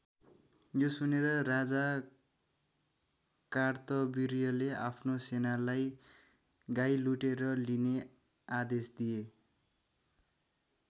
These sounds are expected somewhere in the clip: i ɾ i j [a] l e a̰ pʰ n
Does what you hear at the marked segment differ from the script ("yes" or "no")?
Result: yes